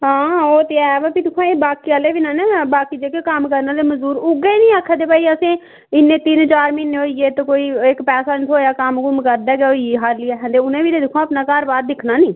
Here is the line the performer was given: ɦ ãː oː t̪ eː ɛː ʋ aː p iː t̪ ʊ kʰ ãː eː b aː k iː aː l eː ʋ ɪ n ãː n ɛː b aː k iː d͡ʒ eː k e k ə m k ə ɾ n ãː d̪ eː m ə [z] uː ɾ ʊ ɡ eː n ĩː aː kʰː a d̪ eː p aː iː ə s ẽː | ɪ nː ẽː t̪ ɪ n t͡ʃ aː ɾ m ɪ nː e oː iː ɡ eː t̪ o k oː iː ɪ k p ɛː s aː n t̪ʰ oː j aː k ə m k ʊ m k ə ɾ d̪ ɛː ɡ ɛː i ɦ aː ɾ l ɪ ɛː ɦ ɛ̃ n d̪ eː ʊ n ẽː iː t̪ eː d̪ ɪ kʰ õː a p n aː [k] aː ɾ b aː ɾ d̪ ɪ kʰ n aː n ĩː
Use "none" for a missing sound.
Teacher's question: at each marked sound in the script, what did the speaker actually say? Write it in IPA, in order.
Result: z, k

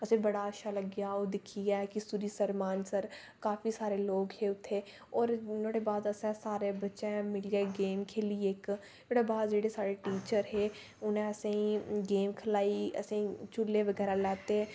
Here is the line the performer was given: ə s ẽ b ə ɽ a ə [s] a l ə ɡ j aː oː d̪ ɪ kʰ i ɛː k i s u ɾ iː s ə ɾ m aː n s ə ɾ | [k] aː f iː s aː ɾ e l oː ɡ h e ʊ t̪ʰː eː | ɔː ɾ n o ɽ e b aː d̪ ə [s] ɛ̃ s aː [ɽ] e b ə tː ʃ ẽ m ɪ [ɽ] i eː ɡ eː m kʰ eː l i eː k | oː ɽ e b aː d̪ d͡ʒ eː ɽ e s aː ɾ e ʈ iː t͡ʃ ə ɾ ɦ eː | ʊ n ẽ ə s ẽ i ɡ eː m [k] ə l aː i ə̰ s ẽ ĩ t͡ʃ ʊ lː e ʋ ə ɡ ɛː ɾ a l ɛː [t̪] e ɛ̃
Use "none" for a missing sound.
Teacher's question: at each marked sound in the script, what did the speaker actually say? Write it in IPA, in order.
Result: ʃ, k, s, ɾ, l, kʰ, t̪

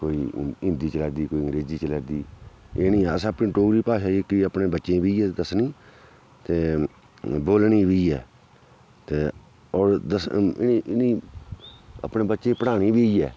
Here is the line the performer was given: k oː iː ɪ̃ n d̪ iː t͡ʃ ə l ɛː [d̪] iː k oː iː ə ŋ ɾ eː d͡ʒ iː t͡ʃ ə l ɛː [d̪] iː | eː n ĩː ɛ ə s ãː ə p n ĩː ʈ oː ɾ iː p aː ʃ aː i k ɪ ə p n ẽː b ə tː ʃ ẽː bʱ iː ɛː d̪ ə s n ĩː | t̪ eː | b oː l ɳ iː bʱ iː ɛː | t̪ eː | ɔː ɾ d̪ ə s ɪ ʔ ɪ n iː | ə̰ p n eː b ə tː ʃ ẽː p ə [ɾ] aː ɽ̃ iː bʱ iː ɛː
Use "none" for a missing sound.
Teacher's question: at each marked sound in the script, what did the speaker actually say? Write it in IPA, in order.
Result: d̪, d̪, ɽ

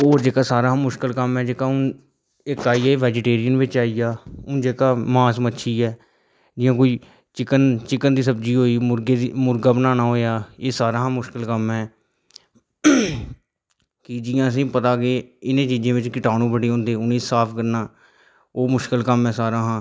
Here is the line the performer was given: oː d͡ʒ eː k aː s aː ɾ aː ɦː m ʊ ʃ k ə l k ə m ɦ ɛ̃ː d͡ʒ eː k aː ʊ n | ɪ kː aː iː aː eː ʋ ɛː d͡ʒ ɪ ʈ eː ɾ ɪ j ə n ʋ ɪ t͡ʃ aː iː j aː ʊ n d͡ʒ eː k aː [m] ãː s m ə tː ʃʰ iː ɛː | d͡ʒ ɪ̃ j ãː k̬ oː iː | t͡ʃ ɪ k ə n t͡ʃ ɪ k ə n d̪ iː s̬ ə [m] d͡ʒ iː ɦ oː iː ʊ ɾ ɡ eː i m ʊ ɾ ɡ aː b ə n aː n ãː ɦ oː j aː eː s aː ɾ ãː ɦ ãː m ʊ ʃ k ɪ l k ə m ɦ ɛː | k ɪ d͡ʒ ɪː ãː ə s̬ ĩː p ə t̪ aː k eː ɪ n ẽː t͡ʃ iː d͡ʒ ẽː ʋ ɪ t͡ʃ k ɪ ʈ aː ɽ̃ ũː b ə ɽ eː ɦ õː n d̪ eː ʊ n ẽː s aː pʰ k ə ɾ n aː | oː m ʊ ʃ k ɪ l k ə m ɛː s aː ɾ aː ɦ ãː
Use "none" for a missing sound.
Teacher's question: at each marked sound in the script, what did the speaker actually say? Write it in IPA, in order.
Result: m, b

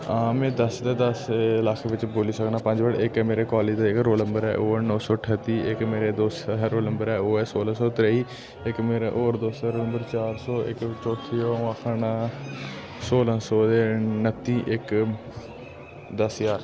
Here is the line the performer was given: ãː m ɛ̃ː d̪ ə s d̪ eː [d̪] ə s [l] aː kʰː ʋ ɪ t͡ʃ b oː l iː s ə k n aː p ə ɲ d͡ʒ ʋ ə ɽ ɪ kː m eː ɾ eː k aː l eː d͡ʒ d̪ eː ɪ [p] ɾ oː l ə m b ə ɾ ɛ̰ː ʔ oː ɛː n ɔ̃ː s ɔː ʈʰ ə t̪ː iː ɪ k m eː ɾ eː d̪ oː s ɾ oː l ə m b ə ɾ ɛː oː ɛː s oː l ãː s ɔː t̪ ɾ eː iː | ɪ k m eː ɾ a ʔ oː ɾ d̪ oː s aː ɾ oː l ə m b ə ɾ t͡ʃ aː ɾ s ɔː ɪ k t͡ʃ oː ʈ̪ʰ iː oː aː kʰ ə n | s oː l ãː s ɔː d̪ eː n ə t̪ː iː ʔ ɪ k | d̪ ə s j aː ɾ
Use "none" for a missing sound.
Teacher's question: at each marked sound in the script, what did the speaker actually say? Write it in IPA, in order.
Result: d̪, l, k

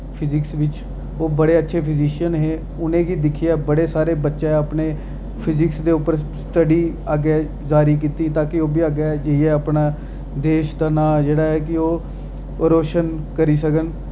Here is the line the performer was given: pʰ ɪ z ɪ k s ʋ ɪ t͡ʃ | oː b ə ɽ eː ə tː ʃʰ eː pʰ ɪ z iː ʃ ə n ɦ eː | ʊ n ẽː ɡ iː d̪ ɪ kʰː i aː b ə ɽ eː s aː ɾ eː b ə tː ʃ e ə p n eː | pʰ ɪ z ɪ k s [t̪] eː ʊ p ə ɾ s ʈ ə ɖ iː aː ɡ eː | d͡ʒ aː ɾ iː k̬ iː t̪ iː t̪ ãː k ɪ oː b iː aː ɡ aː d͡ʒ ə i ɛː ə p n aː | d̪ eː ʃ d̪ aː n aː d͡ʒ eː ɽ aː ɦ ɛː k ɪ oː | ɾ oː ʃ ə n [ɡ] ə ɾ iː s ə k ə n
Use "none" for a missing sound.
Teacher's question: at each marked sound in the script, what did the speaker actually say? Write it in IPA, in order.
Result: d̪, k

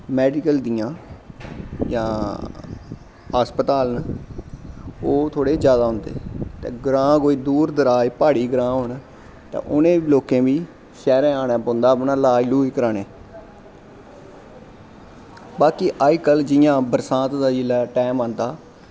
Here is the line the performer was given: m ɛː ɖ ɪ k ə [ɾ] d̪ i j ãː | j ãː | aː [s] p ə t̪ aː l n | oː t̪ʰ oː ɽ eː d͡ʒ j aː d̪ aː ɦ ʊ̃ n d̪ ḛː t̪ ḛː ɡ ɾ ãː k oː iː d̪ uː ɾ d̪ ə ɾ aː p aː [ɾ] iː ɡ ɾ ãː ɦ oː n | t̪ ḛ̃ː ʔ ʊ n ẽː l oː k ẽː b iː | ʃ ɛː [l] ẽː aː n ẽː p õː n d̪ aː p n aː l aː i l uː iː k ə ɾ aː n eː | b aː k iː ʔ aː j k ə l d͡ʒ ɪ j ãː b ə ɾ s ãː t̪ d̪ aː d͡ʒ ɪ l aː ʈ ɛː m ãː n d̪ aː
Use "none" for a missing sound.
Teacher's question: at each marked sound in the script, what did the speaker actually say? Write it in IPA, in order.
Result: l, s, ɽ, ɾ

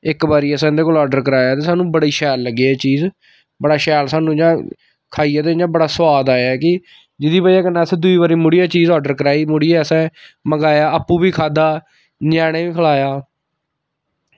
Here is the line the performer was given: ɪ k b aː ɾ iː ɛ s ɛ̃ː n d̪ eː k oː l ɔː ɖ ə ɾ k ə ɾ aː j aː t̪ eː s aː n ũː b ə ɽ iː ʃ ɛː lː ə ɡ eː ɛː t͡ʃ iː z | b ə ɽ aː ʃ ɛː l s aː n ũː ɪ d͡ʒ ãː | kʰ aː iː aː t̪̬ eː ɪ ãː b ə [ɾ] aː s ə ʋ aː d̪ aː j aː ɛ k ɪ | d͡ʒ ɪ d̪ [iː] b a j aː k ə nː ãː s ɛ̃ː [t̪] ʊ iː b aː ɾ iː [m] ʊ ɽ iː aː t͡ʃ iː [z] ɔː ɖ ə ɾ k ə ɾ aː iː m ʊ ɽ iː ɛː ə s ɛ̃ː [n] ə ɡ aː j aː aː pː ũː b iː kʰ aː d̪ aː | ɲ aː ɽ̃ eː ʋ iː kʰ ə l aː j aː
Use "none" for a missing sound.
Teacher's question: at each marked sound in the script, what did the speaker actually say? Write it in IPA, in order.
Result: ɽ, iː, d̪, m, z, m

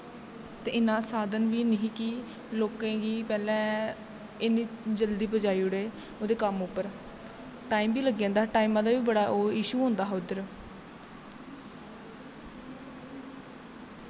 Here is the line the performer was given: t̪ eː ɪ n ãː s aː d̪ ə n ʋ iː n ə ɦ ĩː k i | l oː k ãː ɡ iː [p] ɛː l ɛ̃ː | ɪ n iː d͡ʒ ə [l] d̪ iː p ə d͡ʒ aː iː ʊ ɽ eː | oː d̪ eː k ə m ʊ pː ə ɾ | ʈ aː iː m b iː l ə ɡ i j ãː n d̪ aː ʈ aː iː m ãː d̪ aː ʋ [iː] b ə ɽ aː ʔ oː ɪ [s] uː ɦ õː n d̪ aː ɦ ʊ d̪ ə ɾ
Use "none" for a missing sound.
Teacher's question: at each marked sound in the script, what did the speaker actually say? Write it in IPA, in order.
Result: p, l, iː, ʃ

